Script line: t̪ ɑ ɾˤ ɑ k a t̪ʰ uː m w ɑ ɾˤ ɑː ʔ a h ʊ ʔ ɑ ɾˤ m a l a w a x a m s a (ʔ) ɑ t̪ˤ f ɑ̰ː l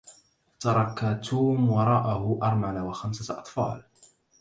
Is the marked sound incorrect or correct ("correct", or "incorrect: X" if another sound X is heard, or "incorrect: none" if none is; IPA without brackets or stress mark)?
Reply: correct